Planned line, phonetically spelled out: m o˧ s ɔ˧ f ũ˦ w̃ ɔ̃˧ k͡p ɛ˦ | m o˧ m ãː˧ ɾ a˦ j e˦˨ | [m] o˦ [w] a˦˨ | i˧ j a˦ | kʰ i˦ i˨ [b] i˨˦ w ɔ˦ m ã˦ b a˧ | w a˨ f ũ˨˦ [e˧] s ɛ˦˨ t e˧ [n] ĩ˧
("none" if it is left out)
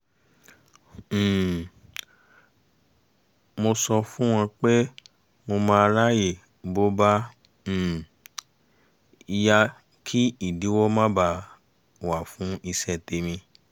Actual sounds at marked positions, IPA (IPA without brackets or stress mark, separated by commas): b, b, d, i˧, m